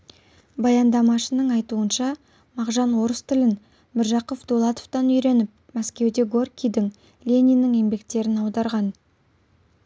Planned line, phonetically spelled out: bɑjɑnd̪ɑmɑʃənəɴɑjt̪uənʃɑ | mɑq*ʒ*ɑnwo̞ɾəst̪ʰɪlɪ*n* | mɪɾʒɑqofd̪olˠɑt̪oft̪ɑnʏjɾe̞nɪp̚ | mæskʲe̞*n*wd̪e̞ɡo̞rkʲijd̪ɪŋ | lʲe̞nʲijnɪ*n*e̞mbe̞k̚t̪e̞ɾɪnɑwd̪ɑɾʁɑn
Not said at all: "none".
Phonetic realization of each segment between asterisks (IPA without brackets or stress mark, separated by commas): ʒ, n, none, ŋ